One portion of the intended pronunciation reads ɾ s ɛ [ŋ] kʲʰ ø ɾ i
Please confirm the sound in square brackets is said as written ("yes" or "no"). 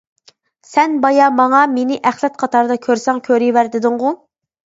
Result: yes